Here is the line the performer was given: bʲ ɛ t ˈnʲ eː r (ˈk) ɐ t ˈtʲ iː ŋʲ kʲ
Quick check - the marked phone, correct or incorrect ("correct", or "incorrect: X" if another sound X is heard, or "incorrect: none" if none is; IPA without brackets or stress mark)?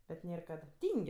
correct